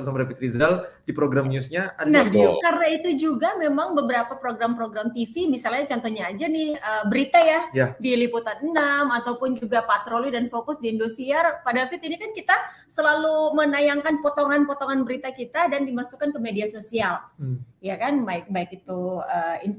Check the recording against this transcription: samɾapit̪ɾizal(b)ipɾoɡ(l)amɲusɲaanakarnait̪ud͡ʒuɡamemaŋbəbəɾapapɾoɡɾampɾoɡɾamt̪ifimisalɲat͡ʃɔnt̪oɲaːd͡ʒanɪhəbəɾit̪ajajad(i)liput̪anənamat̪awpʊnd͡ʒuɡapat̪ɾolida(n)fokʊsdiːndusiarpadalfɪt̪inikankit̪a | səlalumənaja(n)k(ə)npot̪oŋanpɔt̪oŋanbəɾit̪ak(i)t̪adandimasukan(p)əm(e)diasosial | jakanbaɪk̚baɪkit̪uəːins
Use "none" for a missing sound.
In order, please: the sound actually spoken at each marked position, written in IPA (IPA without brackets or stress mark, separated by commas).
d, ɾ, i, n, ŋ, a, i, k, e